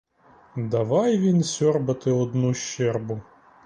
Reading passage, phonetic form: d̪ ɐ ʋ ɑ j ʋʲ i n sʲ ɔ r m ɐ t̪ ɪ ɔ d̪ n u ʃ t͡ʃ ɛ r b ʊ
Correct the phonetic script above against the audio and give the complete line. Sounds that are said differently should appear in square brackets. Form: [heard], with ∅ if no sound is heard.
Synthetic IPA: d̪ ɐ ʋ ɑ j ʋʲ i n sʲ ɔ r [b] ɐ t̪ ɪ ɔ d̪ n u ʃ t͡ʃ ɛ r b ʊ